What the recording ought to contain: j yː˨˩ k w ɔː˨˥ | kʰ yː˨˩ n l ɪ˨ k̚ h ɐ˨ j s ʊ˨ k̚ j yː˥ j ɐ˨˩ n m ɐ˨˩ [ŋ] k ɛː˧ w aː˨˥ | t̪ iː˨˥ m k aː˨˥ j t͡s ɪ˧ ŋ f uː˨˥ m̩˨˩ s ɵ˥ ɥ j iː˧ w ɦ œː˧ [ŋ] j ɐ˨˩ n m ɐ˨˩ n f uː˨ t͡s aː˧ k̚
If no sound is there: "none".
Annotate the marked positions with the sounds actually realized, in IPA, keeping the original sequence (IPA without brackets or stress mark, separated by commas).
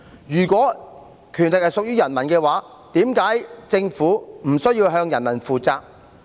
n, ŋ